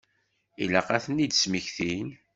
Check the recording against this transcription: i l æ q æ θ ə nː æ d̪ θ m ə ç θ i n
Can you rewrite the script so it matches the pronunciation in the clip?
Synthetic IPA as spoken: i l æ q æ θ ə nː i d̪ s m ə ç θ i n